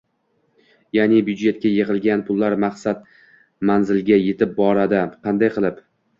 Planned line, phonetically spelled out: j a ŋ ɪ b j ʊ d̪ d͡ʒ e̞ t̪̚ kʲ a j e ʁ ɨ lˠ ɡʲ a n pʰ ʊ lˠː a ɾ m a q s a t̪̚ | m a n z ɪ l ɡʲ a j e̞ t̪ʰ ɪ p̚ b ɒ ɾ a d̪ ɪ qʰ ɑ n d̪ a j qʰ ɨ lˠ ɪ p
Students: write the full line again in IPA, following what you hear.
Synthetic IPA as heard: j a n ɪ b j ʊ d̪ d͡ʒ e̞ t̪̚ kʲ a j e ʁ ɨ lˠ ɡʲ a n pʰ ʊ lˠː a ɾ m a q s a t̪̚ | m a n z ɪ l ɡʲ a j e̞ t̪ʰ ɪ p̚ b ɒ ɾ a d̪ ɪ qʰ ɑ n d̪ a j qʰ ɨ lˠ ɪ p